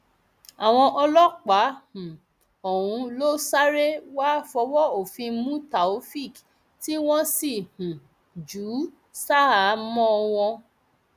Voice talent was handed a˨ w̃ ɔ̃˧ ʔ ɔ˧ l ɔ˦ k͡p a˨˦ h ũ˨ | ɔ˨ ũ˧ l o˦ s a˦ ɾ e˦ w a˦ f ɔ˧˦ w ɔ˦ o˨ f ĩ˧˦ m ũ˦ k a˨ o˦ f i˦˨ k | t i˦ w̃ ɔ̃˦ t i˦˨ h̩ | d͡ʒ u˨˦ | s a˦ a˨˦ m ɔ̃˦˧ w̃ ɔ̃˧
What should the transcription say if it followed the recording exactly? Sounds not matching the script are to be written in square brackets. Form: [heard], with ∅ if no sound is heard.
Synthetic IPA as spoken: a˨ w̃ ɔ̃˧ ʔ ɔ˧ l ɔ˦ k͡p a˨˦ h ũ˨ | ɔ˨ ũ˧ l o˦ s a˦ ɾ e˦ w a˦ f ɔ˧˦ w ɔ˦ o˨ f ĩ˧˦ m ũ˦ [t] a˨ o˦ f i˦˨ k | t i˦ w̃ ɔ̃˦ [s] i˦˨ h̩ | d͡ʒ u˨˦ | s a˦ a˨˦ m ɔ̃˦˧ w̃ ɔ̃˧